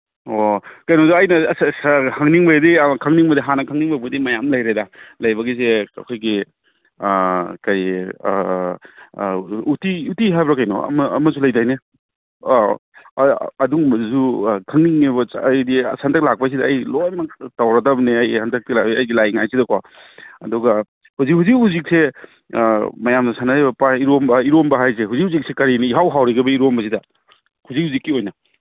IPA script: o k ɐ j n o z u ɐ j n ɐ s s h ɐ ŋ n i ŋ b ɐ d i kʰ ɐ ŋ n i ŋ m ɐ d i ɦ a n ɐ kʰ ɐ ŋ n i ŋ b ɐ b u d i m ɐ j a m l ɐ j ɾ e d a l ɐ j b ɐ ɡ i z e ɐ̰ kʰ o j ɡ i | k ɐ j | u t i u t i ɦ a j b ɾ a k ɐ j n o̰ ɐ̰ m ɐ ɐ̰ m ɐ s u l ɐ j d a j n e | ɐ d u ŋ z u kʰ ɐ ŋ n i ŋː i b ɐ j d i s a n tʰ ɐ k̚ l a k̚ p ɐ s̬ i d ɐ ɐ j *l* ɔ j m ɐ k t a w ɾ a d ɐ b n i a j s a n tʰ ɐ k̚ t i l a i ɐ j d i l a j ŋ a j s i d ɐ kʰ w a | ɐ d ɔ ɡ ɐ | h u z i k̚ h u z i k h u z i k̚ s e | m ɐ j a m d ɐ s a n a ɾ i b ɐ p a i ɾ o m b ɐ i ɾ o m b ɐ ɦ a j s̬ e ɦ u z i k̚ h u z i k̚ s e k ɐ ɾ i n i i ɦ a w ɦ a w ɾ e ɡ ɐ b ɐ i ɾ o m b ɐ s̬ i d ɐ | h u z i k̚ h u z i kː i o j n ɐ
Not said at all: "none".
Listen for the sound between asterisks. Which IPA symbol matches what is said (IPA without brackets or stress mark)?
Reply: l